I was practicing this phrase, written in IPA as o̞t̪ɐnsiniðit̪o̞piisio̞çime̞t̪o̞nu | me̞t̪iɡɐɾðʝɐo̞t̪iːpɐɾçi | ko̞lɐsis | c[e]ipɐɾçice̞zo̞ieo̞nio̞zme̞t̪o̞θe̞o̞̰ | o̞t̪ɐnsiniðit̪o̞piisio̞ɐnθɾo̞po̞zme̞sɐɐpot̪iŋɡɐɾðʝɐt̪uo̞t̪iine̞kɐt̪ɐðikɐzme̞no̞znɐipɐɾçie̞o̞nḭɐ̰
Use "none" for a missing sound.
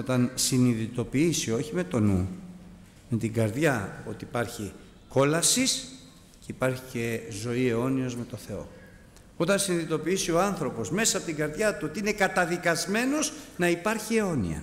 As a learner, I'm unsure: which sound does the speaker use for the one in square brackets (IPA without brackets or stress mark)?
e